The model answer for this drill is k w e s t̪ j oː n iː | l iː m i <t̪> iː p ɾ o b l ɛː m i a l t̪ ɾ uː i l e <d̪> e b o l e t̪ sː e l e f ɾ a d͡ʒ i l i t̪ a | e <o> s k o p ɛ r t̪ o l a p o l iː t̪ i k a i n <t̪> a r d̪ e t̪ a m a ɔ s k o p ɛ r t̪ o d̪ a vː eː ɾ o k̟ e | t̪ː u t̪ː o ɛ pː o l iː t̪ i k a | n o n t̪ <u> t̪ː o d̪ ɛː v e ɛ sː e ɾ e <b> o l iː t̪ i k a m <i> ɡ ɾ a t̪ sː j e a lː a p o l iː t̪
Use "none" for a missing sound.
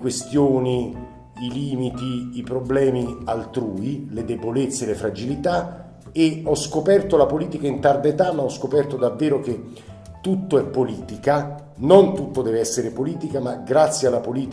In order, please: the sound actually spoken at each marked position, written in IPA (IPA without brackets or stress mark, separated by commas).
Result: t̪, d̪, ɔ, t̪, u, p, a